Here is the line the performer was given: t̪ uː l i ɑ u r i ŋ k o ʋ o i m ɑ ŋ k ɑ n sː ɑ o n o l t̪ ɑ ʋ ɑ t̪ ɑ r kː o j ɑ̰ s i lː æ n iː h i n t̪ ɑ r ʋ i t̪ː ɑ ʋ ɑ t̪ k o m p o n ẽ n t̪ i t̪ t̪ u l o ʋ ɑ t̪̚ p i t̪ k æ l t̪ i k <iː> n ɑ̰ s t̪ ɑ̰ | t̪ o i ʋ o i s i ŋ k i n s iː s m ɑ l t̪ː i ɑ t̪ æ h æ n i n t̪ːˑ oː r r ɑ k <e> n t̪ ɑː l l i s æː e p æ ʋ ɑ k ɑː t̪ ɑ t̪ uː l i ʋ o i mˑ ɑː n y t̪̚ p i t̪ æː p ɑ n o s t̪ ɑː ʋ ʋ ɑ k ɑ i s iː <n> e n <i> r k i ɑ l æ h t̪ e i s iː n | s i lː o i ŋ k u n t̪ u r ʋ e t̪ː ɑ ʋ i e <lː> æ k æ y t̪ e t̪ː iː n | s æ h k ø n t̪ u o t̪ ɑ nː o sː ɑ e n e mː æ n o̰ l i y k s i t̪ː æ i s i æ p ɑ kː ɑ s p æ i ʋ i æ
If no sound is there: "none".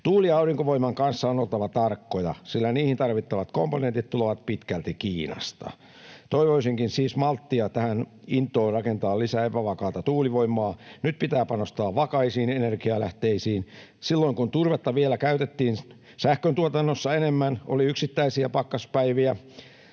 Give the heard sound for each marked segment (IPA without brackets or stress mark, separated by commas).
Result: iː, e, n, e, l